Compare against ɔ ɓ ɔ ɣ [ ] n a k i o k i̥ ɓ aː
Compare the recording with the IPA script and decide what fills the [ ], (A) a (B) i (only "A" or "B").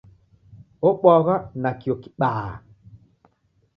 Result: A